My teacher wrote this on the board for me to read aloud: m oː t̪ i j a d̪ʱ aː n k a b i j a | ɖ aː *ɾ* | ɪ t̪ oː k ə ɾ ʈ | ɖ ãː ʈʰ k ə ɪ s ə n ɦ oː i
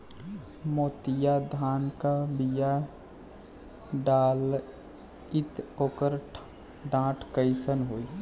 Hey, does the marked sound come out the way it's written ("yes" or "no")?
no